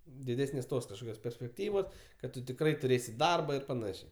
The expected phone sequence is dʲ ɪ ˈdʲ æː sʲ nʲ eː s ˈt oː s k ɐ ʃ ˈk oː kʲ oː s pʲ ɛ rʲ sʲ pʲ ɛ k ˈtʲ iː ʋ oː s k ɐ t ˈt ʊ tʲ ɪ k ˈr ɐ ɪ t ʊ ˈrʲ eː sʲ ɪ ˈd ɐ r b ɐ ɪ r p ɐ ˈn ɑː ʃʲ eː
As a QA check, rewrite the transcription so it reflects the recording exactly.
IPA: dʲ ɪ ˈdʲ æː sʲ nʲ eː s ˈt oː s k ɐ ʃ ˈk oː kʲ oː s pʲ ɛ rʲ sʲ pʲ ɛ k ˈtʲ iː ʋ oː s k ɐ t ˈt ʊ tʲ ɪ k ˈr ɐ ɪ t ʊ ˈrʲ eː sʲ ɪ ˈd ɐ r b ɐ ɪ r p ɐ ˈn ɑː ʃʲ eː